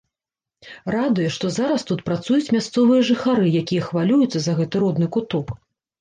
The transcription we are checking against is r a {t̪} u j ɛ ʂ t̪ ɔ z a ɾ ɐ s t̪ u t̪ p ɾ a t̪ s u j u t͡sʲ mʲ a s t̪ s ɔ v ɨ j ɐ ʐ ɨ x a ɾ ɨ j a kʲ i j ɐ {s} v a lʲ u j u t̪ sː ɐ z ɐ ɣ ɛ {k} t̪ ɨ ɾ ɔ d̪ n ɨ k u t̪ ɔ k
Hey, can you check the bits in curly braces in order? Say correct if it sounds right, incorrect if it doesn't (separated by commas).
incorrect, incorrect, incorrect